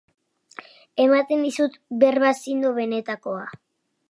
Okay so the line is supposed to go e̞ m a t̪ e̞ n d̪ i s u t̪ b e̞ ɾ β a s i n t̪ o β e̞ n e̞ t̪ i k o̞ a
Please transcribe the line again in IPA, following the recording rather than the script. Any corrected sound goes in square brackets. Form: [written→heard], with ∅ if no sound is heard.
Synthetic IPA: e̞ m a t̪ e̞ n d̪ i s u t̪ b e̞ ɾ β a s i n [t̪→d̪] o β e̞ n e̞ t̪ [i→a] k o̞ a